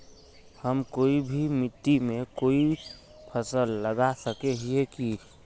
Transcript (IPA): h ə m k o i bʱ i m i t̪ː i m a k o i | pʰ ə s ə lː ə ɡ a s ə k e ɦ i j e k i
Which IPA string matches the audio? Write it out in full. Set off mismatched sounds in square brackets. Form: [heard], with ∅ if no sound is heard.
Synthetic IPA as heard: h ə m k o i bʱ i m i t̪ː i m [e] k o i | pʰ ə s ə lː ə ɡ a s ə k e ɦ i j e k i